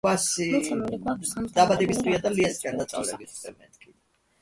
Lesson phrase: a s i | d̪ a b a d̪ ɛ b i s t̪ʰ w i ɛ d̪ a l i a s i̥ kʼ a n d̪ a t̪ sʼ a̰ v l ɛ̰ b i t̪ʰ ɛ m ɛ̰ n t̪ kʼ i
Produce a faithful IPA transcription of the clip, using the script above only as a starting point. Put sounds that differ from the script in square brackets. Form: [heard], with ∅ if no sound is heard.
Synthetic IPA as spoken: a s i | d̪ a b a d̪ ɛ b i s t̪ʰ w i [a] d̪ a l i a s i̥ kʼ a n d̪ a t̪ sʼ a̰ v l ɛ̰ b i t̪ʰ ɛ m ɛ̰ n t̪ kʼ i